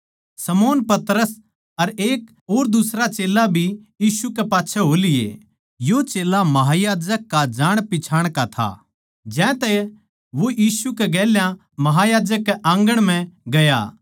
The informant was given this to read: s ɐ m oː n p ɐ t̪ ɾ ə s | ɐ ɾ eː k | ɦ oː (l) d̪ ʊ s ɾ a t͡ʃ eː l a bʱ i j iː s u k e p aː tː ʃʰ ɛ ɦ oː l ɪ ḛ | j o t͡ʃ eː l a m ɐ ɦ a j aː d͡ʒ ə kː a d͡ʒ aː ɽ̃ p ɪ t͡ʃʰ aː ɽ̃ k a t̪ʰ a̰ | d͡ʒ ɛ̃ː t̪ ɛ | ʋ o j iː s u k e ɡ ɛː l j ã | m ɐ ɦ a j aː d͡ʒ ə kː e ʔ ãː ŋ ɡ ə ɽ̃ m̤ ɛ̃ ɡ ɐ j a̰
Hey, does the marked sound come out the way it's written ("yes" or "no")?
no